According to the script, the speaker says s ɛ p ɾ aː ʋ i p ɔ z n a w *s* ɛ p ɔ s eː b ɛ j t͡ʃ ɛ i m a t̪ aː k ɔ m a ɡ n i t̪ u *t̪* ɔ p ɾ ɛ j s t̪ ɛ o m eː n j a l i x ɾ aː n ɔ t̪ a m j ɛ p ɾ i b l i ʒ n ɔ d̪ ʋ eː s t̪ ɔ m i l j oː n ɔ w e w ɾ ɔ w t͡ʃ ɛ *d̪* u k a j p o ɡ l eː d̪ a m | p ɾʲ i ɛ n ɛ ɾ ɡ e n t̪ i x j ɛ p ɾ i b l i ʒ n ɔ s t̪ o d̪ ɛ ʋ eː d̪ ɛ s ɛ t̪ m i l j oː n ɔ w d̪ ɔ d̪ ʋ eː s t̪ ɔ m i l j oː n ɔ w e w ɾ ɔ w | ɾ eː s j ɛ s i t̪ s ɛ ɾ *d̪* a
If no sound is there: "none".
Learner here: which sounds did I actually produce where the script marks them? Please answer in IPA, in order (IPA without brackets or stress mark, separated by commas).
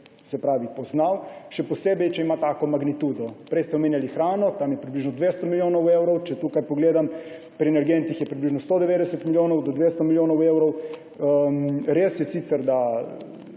ʃ, d̪, t̪, d̪